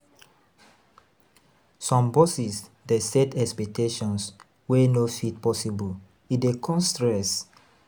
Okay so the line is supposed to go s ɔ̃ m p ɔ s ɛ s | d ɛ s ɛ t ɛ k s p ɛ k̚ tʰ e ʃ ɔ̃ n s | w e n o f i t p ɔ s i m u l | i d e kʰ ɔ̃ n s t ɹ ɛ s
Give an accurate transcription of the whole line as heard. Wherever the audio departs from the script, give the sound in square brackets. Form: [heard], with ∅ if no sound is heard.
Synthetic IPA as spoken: s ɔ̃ m [b] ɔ s [i] s | d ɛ s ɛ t ɛ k s p ɛ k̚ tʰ e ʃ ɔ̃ n s | w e n o f i t p ɔ s i [b] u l | i d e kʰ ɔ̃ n s t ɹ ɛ s